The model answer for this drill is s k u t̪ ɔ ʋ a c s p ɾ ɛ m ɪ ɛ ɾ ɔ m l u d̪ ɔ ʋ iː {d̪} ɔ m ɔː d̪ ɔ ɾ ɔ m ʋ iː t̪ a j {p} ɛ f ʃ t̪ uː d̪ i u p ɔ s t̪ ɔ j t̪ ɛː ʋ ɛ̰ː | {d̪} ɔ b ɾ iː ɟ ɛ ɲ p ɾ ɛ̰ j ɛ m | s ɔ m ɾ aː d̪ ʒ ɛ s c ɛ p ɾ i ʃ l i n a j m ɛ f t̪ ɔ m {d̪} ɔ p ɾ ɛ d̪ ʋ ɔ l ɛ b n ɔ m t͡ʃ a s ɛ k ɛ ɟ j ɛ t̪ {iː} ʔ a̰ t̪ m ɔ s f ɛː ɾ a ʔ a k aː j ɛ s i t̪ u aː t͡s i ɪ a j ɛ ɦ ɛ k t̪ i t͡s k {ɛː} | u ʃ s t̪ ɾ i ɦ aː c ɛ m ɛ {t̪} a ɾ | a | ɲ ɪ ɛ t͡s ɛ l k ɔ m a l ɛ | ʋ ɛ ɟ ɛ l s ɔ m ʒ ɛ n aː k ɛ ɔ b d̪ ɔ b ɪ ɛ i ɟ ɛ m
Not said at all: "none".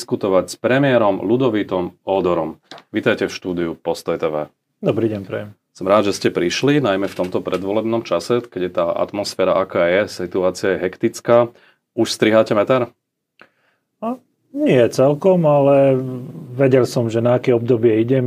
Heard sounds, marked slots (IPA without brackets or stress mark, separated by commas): t̪, c, d̪, t̪, aː, aː, t̪